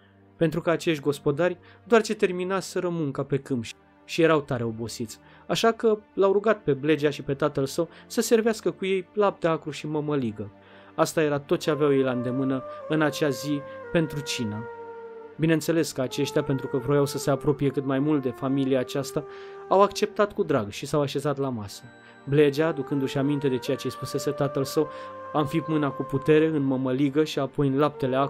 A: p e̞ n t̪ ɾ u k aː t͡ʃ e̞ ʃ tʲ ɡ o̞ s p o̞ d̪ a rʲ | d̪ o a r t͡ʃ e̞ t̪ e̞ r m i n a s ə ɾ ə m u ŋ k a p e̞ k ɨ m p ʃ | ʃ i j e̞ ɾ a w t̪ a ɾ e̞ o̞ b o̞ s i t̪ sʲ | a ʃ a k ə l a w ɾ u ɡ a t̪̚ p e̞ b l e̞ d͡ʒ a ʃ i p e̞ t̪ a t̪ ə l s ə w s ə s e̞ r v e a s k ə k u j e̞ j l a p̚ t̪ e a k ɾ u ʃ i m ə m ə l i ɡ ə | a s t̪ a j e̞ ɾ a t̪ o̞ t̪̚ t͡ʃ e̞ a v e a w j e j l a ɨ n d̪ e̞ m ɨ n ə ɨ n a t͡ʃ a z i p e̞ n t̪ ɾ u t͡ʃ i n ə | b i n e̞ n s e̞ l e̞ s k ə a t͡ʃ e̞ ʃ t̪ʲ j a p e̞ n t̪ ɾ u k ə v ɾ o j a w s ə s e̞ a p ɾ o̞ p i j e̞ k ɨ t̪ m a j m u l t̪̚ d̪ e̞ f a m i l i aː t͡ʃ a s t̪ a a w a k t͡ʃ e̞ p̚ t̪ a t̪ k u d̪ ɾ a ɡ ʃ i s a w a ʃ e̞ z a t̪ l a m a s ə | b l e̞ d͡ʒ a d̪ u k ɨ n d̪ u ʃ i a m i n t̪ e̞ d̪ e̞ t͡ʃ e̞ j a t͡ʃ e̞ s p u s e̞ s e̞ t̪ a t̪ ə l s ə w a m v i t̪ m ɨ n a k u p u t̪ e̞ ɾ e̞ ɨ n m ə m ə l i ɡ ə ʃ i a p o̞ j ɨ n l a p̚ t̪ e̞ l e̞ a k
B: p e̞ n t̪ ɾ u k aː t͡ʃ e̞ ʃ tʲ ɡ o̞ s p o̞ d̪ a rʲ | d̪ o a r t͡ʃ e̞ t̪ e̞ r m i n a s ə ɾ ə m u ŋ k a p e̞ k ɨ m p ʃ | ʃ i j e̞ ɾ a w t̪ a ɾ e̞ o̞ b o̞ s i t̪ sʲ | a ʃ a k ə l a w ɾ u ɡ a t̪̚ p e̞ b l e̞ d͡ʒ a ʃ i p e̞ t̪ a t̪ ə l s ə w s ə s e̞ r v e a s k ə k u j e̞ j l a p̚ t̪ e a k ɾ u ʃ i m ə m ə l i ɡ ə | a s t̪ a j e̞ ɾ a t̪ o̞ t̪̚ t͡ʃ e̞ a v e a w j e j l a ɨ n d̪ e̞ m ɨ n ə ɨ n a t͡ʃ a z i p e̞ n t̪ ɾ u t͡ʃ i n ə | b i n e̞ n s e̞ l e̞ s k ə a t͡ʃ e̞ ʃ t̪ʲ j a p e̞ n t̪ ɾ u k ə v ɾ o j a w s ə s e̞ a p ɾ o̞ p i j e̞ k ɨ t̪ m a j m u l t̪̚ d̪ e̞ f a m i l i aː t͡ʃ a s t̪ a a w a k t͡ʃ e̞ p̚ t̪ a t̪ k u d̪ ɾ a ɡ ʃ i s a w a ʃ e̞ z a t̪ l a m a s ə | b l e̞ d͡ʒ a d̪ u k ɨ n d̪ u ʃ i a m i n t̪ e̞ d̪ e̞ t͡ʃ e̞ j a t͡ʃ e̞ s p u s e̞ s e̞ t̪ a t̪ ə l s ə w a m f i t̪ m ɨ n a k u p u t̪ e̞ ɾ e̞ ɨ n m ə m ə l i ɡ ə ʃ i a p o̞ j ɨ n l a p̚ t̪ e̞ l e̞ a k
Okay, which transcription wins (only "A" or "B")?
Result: B